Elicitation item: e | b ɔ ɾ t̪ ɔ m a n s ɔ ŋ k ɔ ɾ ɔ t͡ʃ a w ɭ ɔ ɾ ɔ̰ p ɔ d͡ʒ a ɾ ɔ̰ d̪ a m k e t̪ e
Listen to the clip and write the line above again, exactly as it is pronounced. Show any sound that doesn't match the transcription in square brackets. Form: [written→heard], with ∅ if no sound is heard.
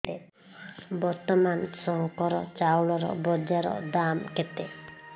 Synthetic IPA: e | b ɔ ɾ t̪ ɔ m a n s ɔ ŋ k ɔ ɾ ɔ t͡ʃ a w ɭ ɔ ɾ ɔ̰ [p→b] ɔ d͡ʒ a ɾ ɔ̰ d̪ a m k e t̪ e